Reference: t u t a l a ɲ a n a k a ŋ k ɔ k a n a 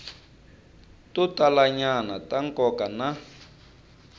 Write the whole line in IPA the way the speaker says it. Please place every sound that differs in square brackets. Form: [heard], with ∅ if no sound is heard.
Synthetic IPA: t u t a l a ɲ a n a [t] a ŋ k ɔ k a n a